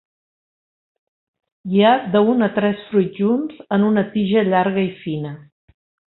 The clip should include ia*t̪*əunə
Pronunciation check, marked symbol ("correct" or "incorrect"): incorrect